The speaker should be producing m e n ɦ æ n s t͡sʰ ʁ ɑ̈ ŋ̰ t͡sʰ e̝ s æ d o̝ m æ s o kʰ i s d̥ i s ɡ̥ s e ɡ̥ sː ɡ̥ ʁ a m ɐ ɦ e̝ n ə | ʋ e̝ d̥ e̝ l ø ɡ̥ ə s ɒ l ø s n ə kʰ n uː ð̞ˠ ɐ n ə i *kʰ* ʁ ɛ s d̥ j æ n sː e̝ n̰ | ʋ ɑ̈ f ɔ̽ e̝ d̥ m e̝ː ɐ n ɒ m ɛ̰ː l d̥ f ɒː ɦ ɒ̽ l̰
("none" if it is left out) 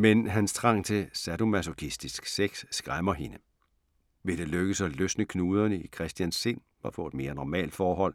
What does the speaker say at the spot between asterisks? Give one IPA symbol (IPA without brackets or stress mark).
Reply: kʰ